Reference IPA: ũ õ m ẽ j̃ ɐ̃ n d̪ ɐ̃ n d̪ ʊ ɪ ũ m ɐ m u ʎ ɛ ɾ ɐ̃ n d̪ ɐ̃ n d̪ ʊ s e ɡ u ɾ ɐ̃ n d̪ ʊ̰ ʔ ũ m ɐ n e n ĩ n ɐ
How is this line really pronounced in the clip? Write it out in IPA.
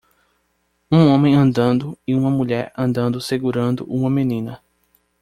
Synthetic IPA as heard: ũ õ m ẽ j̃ ɐ̃ n d̪ ɐ̃ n d̪ ʊ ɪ ũ m ɐ m u ʎ ɛ ɾ ɐ̃ n d̪ ɐ̃ n d̪ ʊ s e ɡ u ɾ ɐ̃ n d̪ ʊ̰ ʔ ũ m ɐ m e n ĩ n ɐ